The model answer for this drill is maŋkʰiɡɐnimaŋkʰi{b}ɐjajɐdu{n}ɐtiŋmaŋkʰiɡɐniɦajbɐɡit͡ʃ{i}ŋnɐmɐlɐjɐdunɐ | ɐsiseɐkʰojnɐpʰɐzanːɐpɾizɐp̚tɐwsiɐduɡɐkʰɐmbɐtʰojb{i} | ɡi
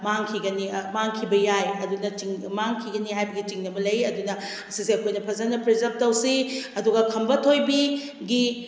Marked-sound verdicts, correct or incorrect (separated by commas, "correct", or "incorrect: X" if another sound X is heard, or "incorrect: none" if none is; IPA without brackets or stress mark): correct, correct, correct, correct